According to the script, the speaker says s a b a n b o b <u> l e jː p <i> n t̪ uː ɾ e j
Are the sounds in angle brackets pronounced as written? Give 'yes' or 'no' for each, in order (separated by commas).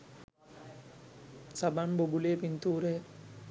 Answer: yes, yes